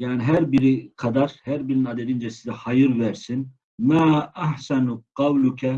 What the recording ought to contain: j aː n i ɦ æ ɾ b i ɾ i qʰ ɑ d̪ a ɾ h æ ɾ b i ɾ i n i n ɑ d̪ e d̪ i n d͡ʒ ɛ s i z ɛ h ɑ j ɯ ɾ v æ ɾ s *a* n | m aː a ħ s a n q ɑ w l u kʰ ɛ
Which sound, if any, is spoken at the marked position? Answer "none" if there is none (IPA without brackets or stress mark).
i